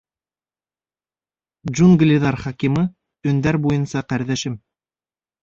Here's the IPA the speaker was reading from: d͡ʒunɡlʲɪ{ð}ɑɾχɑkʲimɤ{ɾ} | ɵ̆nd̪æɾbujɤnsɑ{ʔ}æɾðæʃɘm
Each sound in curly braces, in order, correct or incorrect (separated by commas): correct, incorrect, incorrect